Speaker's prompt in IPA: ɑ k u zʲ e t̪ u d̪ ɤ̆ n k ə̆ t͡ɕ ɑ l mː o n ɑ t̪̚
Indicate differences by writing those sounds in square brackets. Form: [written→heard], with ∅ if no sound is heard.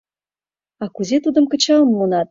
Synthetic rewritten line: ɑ k u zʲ e t̪ u d̪ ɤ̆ [n→m] k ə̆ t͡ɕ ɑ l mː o n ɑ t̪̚

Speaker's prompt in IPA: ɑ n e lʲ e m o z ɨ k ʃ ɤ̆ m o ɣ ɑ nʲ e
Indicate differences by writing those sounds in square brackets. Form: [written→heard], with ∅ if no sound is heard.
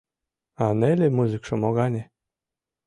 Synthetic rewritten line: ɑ n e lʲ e m [o→u] z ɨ k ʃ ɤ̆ m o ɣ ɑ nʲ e

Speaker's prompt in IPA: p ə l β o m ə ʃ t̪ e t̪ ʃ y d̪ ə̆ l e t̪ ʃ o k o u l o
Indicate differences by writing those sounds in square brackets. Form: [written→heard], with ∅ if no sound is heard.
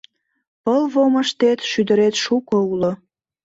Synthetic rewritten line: p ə l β o m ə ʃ t̪ e t̪ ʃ y d̪ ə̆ [l→ɾ] e t̪ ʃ [o→u] k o u l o

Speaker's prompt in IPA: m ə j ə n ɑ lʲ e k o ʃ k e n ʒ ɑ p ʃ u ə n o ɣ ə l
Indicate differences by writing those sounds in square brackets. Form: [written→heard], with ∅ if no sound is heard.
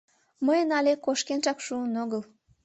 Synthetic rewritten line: m ə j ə n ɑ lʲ e k o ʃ k e n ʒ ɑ [p→k] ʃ u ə n o ɣ ə l

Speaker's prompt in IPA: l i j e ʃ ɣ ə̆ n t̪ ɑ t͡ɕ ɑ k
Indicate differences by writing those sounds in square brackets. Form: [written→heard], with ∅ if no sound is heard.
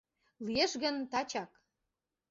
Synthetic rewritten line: l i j e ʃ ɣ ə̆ n t̪ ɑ t͡ɕ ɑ k

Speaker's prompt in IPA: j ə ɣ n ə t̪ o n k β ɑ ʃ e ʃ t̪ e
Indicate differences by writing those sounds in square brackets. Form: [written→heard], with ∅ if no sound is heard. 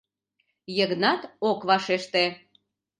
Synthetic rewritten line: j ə ɣ n [ə→ɑ] t̪ o [n→∅] k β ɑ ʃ e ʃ t̪ e

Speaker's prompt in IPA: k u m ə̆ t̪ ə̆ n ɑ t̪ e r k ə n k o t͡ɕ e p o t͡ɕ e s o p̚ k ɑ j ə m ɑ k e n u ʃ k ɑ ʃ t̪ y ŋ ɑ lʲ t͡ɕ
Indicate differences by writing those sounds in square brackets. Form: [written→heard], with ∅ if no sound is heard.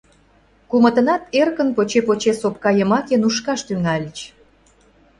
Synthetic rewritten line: k u m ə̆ t̪ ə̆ n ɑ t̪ e r k ə n [k→p] o t͡ɕ e p o t͡ɕ e s o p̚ k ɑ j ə m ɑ k e n u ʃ k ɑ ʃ t̪ y ŋ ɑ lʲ t͡ɕ

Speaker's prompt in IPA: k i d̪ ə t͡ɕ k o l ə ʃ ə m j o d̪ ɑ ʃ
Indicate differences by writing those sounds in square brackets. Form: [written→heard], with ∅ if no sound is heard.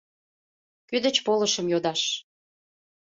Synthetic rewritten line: k [i→y] d̪ ə t͡ɕ [k→p] o l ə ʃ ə m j o d̪ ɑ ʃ

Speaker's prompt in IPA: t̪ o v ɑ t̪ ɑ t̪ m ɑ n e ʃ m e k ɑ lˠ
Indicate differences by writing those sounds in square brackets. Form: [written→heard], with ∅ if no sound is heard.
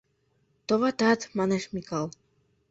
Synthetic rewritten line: t̪ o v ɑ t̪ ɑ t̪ m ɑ n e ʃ m [e→i] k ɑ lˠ

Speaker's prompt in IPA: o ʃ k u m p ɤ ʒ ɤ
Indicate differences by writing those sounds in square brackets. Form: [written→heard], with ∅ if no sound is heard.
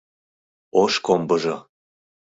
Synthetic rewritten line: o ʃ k [u→o] m [p→b] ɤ ʒ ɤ

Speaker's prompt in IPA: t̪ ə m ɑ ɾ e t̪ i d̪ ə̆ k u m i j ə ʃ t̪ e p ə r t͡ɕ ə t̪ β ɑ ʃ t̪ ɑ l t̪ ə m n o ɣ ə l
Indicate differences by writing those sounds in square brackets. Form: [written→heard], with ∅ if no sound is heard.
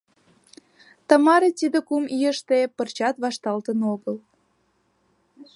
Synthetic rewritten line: t̪ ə m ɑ ɾ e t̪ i d̪ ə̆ k u m i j ə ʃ t̪ e p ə r t͡ɕ [ə→ɑ] t̪ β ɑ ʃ t̪ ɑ l t̪ ə [m→∅] n o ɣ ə l

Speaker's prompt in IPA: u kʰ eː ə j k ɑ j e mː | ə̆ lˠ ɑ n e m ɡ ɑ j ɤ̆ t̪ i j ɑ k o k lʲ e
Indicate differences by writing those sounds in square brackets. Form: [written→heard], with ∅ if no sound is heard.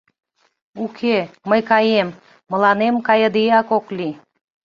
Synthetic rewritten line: u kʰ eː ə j k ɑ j e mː | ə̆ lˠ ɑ n e m [ɡ→k] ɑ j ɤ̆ [t̪→d̪] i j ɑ k o k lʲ [e→i]

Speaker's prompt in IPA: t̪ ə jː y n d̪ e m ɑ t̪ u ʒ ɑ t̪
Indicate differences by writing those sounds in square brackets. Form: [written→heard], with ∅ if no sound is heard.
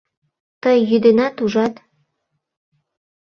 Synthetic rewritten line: t̪ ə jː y [n→∅] d̪ e [m→n] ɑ t̪ u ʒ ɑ t̪

